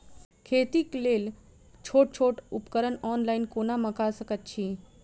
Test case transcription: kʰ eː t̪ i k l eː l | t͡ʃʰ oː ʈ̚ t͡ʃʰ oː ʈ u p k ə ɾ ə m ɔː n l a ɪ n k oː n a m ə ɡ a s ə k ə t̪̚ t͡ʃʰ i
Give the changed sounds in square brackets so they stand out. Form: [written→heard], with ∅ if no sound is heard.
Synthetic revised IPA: kʰ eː t̪ i k l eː l | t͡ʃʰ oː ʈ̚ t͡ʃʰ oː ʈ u p k ə ɾ ə [m→n] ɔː n l a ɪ n k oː n a m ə [ɡ→k] a s ə k ə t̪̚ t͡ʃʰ i